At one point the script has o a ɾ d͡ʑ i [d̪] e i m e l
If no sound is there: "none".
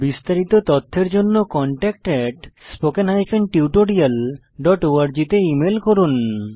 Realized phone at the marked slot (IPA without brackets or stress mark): t̪